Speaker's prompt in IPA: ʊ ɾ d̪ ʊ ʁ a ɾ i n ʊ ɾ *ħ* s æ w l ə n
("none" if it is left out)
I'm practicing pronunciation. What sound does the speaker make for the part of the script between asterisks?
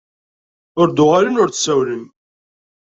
θ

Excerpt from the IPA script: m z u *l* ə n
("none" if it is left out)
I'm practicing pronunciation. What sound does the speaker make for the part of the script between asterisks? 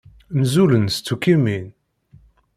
l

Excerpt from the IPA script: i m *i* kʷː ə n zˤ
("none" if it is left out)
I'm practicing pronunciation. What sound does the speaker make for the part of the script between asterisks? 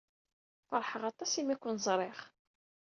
æ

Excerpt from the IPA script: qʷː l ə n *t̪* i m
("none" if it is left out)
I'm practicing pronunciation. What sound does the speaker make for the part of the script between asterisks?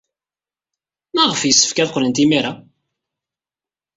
t̪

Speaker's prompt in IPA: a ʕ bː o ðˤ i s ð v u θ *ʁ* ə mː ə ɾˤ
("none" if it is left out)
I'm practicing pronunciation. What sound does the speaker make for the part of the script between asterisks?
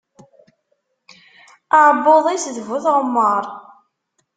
ʁ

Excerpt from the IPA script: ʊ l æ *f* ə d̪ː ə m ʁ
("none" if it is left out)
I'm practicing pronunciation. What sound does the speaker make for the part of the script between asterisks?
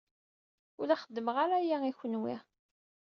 χ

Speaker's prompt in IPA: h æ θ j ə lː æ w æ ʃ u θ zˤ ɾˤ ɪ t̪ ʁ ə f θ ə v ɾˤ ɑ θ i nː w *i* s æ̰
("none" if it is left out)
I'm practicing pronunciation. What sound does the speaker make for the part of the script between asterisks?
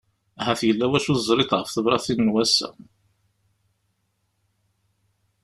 æ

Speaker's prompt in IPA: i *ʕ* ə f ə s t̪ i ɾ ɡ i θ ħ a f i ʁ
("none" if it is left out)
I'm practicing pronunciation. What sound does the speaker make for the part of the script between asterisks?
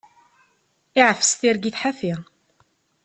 ʕ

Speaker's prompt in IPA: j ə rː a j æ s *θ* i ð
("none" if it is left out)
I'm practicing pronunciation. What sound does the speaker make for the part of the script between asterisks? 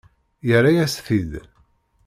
θ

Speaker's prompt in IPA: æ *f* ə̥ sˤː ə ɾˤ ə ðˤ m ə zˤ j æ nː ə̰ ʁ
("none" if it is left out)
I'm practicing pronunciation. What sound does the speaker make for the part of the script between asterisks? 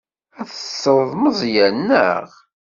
θ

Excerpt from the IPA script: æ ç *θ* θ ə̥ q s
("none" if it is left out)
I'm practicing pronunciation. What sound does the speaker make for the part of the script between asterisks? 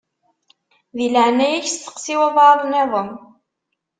s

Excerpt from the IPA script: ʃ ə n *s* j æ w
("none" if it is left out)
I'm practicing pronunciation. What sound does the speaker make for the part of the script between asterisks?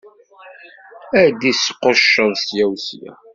s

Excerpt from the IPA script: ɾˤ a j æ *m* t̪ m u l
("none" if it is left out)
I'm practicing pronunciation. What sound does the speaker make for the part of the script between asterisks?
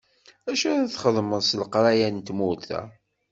n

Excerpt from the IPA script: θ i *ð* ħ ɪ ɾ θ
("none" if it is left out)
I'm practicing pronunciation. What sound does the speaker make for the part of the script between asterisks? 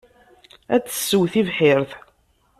v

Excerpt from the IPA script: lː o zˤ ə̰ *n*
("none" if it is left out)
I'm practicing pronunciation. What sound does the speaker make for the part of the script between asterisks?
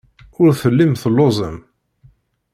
m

